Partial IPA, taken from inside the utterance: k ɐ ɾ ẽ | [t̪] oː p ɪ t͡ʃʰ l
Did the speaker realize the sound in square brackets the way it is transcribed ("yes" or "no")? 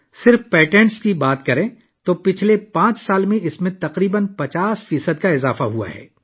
yes